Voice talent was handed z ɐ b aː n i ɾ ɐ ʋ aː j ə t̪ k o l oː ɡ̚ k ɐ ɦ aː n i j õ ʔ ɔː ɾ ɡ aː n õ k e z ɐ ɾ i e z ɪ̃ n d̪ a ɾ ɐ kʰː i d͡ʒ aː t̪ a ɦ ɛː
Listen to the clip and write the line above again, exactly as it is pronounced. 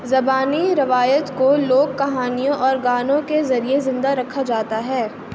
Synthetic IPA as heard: z ɐ b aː n i ɾ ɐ ʋ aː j ə t̪ k o l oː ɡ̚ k ɐ ɦ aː n i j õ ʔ ɔː ɾ ɡ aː n õ k e z ɐ ɾ i e z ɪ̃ n d̪ a ɾ ɐ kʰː a d͡ʒ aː t̪ a ɦ ɛː